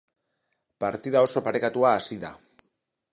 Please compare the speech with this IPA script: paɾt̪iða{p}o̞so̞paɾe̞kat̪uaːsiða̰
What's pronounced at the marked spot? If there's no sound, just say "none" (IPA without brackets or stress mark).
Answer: none